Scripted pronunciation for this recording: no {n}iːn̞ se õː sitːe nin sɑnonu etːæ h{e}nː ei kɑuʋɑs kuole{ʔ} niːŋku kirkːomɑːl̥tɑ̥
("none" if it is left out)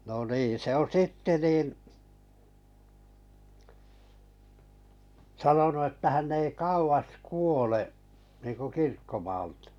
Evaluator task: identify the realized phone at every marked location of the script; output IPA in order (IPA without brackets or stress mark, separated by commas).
n, æ, ʔ